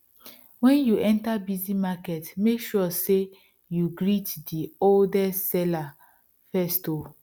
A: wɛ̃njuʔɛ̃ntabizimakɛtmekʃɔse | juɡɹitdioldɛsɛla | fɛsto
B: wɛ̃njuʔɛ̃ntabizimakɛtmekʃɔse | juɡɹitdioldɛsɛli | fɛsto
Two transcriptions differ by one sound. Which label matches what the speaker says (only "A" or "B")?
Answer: A